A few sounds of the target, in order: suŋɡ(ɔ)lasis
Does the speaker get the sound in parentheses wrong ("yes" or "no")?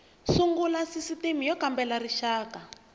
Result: yes